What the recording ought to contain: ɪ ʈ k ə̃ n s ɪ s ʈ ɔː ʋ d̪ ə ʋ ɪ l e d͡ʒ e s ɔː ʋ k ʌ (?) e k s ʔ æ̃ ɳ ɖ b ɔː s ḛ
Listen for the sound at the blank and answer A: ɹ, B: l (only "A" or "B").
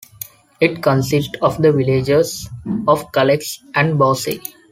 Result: B